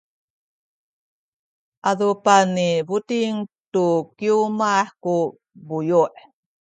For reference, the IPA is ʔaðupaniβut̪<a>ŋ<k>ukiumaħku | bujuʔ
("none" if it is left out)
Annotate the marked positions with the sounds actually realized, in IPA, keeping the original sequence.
i, t

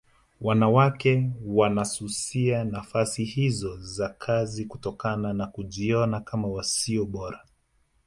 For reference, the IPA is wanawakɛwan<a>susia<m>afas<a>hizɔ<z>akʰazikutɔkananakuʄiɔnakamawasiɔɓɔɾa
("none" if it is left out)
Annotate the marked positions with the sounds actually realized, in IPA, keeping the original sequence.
a, n, i, z

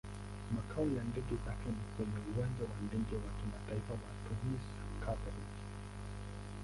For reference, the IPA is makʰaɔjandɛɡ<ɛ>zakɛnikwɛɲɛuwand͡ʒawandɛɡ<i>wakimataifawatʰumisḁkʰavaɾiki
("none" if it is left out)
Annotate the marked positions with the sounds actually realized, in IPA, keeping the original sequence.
ɛ, ɛ

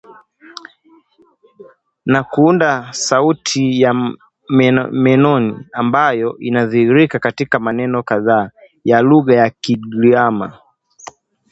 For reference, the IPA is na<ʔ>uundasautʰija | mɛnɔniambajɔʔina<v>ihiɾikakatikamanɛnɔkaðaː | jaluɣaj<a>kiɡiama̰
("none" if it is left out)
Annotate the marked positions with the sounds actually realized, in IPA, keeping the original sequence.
k, ð, a

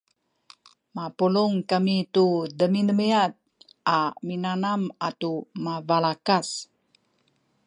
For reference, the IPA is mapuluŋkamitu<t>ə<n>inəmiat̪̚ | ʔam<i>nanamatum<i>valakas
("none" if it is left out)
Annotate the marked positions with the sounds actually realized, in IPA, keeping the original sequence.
d, m, i, a

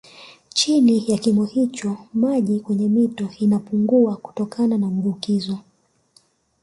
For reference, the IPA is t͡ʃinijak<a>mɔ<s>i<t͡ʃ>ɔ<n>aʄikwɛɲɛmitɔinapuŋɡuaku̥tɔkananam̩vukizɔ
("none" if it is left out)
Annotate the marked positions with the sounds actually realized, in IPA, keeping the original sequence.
i, h, t͡ʃ, m

